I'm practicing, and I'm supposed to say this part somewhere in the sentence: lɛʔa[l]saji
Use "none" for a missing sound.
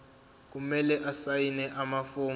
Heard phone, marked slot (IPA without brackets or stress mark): none